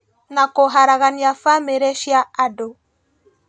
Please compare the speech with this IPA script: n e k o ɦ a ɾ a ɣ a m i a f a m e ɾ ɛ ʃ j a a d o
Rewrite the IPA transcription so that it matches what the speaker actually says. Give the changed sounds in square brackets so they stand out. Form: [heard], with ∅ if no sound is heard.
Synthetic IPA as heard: n [a] k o ɦ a ɾ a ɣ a [n] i a f a m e ɾ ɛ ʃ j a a d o